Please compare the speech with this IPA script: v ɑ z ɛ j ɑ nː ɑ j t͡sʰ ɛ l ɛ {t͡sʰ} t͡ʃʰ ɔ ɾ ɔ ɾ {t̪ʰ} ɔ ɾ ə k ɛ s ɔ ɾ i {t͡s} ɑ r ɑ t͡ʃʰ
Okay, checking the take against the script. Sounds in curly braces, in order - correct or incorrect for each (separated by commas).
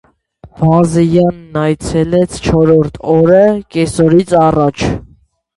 correct, correct, incorrect